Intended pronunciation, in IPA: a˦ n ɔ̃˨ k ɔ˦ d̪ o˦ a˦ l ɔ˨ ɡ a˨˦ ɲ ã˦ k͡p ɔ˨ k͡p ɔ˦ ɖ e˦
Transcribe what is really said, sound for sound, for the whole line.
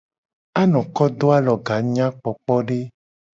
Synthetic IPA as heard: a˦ n ɔ̃˨ k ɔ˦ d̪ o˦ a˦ l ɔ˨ ɡ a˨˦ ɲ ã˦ k͡p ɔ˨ k͡p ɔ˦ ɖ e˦